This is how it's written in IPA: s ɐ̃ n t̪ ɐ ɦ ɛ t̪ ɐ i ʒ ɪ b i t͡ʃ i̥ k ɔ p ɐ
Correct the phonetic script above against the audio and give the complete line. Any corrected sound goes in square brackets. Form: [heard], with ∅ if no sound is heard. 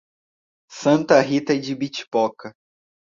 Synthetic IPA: s ɐ̃ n t̪ ɐ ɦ [i] t̪ ɐ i [d͡ʒ] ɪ b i t͡ʃ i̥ [p] ɔ [k] ɐ